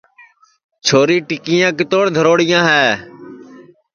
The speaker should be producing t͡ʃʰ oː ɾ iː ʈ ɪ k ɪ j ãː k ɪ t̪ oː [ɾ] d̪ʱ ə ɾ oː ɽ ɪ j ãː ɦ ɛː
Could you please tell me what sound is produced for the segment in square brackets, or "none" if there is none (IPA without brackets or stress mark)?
ɽ